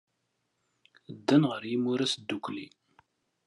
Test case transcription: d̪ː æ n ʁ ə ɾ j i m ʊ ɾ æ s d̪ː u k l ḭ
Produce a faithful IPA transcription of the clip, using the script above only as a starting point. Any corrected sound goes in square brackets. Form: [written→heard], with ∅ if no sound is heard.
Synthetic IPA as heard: d̪ː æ n ʁ ə ɾ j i m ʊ ɾ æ s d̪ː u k l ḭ